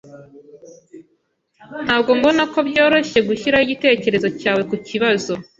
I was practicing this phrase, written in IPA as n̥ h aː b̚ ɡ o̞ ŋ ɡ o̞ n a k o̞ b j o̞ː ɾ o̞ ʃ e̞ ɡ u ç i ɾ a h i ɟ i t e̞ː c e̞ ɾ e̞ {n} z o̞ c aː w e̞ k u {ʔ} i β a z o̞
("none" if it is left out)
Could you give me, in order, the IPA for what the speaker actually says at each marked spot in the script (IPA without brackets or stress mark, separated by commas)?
none, c